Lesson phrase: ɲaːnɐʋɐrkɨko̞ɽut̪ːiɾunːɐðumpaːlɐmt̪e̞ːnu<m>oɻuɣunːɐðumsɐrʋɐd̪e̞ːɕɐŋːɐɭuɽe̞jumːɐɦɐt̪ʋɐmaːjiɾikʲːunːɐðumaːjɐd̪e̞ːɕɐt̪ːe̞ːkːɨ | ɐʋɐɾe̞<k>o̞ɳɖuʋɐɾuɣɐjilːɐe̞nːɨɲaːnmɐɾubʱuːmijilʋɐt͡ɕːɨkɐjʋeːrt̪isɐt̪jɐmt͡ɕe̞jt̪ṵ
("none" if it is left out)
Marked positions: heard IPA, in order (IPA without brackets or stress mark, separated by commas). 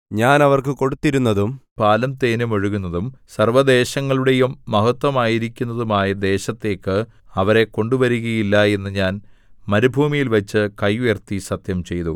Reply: m, k